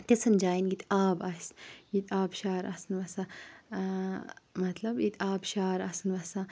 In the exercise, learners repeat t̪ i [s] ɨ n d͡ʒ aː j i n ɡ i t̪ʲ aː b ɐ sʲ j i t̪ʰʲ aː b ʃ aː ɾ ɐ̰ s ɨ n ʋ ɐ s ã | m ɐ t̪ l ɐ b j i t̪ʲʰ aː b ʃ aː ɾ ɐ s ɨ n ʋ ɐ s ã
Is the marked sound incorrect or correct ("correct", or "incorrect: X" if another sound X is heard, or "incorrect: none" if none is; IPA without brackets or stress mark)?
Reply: correct